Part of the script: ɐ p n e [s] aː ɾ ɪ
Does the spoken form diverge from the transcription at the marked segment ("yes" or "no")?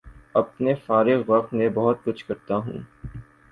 yes